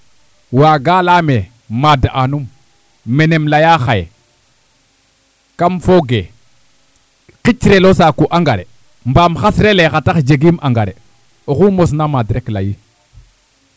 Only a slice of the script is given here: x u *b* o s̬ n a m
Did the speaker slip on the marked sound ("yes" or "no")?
yes